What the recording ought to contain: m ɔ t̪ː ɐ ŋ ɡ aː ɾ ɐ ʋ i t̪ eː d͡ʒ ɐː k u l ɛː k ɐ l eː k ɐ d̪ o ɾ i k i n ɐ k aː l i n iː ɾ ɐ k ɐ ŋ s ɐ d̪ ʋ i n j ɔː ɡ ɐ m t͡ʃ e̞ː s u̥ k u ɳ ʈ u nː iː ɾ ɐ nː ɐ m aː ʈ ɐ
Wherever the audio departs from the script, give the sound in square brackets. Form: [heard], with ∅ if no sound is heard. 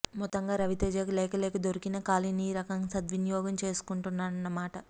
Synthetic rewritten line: m ɔ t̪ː ɐ ŋ ɡ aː ɾ ɐ ʋ i t̪ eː d͡ʒ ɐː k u l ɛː k ɐ l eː k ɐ d̪ o ɾ i k i n ɐ k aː l i n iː ɾ ɐ k ɐ ŋ s ɐ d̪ ʋ i n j ɔː ɡ ɐ m t͡ʃ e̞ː s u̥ k u ɳ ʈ u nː [aː] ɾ ɐ nː ɐ m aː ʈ ɐ

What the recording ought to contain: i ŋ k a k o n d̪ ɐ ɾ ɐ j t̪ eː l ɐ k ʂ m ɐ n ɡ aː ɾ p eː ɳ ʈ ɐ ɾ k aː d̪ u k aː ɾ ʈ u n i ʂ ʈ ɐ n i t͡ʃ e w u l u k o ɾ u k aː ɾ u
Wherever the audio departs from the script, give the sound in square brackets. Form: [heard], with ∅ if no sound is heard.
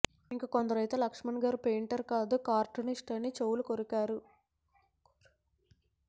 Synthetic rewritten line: i ŋ k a k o n d̪ ɐ ɾ ɐ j t̪ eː l ɐ k ʂ m ɐ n ɡ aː ɾ p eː ɳ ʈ ɐ ɾ k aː d̪ u k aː ɾ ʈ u n i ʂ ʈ ɐ n i t͡ʃ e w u l u k o ɾ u k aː ɾ u

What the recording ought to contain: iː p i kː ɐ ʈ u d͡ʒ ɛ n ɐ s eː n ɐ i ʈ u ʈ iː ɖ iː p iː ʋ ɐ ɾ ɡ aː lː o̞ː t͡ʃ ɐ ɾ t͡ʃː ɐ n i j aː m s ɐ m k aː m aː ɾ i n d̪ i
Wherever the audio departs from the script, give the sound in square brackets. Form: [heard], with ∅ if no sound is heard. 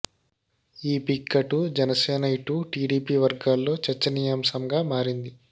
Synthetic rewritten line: iː p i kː ɐ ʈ u d͡ʒ ɛ n ɐ s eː n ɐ i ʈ u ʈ iː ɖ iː p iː ʋ ɐ ɾ ɡ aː lː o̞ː t͡ʃ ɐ ɾ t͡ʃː ɐ n i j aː m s ɐ m [ɡ] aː m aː ɾ i n d̪ i

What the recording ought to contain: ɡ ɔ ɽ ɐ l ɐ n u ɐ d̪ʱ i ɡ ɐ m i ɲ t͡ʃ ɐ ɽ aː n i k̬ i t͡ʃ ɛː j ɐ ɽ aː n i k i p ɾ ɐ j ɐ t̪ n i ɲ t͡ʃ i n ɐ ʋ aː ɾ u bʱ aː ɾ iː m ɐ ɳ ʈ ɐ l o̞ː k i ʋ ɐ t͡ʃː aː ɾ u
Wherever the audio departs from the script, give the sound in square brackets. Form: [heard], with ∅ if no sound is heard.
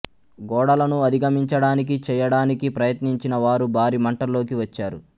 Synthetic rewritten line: ɡ [ɔː] ɽ ɐ l ɐ n u ɐ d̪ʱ i ɡ ɐ m i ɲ t͡ʃ ɐ ɽ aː n i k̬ i t͡ʃ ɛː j ɐ ɽ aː n i k i p ɾ ɐ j ɐ t̪ n i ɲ t͡ʃ i n ɐ ʋ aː ɾ u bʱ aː ɾ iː m ɐ ɳ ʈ ɐ l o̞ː k i ʋ ɐ t͡ʃː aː ɾ u

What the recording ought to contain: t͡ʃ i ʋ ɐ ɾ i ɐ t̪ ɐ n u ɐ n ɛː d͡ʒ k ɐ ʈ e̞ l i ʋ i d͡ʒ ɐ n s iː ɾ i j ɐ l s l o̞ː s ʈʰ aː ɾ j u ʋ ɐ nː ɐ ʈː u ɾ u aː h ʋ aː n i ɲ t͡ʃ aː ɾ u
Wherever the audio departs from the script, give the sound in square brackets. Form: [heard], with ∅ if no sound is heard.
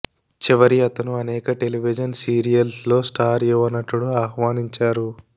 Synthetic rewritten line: t͡ʃ i ʋ ɐ ɾ i ɐ t̪ ɐ n u ɐ n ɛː [∅] k ɐ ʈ e̞ l i ʋ i d͡ʒ ɐ n s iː ɾ i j ɐ l s l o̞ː s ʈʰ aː ɾ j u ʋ ɐ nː ɐ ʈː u [ɽ] u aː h ʋ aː n i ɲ t͡ʃ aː ɾ u

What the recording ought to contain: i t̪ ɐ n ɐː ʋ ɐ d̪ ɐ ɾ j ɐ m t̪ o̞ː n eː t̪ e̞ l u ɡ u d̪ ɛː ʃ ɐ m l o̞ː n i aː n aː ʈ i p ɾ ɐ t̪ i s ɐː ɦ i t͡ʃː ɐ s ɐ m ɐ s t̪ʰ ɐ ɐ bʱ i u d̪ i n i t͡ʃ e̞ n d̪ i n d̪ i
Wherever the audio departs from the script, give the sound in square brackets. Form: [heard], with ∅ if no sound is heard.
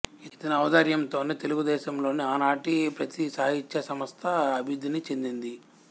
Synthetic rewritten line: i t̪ ɐ n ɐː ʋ ɐ d̪ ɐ ɾ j ɐ m t̪ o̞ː n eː t̪ e̞ l u ɡ u d̪ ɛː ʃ ɐ m l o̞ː n i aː n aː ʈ i p ɾ ɐ t̪ i s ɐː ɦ i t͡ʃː ɐ s ɐ m ɐ s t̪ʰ ɐ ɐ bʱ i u d̪ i n i t͡ʃ e̞ n d̪ i n d̪ i

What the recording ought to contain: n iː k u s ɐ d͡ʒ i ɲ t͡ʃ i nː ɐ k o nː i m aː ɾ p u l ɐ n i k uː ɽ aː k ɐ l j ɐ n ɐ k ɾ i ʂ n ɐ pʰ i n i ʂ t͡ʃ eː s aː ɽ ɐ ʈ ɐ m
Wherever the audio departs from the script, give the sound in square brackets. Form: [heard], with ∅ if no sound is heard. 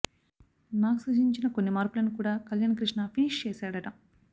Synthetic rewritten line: n [aː] k u s ɐ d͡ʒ i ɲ t͡ʃ i [n] ɐ k o nː i m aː ɾ p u l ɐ n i k uː ɽ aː k ɐ l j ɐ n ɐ k ɾ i ʂ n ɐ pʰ i n i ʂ t͡ʃ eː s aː ɽ ɐ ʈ ɐ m

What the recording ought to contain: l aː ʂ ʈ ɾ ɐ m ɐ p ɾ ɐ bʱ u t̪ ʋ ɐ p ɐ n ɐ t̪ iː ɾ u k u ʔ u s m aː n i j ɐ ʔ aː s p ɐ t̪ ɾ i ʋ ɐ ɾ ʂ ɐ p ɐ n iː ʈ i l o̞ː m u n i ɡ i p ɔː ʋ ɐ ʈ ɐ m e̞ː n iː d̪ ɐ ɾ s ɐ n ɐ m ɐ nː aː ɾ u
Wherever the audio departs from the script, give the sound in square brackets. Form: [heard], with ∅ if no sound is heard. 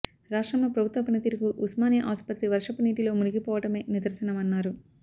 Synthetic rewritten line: [ɾ] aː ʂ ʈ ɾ ɐ m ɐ p ɾ ɐ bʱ u t̪ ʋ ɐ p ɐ n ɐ t̪ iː ɾ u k u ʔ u s m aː n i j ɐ ʔ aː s p ɐ t̪ ɾ i ʋ ɐ ɾ ʂ ɐ p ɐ n iː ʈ i l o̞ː m u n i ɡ i p ɔː ʋ ɐ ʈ ɐ m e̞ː n [i] d̪ ɐ ɾ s ɐ n ɐ m ɐ nː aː ɾ u

